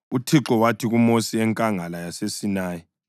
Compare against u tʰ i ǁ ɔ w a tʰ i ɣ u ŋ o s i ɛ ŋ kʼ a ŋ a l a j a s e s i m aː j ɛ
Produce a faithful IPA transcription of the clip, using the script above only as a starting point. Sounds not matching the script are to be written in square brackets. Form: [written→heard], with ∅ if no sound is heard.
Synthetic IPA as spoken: u tʰ i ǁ ɔ w a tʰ i ɣ u [ŋ→m] o s i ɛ ŋ kʼ a ŋ a l a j a s e s i [m→n] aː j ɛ